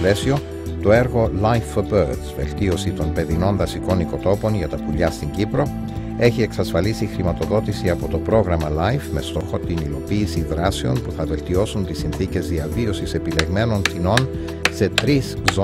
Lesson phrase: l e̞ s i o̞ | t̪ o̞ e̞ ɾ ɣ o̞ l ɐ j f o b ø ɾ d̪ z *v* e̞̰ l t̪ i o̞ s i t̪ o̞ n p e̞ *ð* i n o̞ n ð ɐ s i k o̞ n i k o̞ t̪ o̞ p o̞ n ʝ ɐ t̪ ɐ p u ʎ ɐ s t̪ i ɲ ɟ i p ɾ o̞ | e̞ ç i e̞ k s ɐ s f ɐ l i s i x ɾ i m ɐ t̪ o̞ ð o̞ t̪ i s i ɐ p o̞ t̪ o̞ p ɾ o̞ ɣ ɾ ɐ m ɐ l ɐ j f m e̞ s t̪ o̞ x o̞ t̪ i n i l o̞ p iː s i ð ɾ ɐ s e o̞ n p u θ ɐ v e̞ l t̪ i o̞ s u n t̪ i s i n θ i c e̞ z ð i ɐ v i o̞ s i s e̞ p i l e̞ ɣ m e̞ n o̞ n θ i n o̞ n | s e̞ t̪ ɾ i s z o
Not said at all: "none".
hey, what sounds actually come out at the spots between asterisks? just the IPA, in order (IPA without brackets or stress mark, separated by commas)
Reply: v, ð